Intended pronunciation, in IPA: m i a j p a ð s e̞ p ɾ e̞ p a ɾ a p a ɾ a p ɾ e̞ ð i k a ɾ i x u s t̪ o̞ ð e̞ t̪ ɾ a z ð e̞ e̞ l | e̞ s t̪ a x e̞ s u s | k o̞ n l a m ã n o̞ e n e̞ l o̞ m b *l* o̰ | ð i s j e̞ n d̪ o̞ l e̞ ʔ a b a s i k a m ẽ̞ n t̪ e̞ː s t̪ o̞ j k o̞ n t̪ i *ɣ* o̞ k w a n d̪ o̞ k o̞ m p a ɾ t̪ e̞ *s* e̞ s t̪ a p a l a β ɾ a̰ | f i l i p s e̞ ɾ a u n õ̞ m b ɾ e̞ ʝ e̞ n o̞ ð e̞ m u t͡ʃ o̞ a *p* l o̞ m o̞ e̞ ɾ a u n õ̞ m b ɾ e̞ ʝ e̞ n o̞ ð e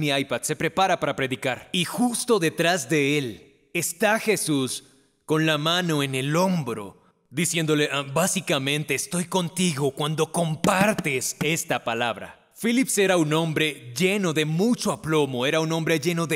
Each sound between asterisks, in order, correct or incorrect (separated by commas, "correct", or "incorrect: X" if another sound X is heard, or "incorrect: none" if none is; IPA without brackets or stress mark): incorrect: ɾ, correct, correct, correct